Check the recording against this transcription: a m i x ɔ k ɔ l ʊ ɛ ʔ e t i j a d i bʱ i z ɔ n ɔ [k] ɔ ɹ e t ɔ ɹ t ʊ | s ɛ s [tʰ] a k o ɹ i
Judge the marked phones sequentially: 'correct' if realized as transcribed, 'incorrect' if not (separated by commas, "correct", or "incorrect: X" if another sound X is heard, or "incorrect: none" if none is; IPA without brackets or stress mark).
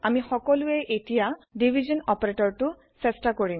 incorrect: p, incorrect: t